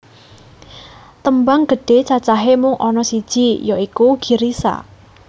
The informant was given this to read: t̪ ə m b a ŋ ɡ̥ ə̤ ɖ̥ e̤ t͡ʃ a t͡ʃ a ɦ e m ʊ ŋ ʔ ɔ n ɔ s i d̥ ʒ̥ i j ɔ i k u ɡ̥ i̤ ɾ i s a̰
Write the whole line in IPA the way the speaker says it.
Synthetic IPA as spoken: t̪ ə m b a ŋ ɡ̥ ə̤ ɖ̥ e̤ t͡ʃ a t͡ʃ a ɦ e m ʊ ŋ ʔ ɔ n ɔ s i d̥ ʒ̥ i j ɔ i k u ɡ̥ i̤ ɾ i s a̰